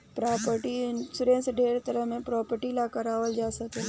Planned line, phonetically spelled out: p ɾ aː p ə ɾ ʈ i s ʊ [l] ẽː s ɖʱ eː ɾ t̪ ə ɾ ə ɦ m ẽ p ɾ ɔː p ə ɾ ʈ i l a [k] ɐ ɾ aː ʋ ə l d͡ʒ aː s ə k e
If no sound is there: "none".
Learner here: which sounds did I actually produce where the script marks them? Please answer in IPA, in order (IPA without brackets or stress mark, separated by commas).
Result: ɾ, k